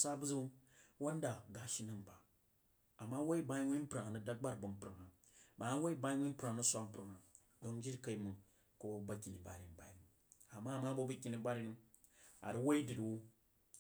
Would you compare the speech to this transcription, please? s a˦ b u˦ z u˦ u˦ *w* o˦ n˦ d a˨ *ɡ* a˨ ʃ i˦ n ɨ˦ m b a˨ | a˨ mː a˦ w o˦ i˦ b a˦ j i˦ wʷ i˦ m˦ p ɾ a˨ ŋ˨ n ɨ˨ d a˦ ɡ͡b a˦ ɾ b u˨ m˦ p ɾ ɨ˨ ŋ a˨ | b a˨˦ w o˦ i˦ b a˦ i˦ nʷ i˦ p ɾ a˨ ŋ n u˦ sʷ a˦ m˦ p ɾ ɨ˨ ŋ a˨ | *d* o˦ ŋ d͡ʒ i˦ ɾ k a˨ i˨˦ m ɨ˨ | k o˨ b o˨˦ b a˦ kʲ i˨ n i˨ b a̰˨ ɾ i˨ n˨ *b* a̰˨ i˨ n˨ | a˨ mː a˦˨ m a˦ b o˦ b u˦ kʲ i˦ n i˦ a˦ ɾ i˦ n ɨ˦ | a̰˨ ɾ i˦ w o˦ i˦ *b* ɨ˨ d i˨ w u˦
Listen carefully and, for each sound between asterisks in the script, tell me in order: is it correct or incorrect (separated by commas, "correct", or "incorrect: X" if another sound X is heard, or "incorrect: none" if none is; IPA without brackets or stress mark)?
correct, correct, correct, correct, incorrect: d